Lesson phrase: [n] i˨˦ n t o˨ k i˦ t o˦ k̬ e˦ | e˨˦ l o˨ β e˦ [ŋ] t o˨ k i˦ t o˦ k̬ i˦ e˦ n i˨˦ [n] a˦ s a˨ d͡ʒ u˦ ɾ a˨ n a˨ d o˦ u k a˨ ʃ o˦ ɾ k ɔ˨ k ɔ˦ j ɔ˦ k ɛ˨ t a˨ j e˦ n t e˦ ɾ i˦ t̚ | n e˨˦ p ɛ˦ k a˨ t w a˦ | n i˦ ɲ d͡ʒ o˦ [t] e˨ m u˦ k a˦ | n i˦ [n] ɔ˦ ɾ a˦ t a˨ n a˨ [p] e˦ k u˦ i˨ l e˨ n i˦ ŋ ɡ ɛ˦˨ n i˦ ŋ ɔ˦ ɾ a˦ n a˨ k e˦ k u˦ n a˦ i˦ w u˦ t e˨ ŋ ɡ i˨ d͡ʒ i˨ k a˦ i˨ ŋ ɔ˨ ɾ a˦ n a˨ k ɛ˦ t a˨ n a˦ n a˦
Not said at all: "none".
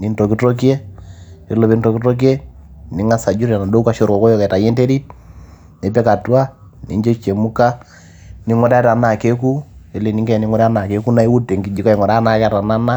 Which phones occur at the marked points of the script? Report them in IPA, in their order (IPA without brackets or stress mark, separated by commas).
n, n, ŋ, t͡ʃ, ŋ, k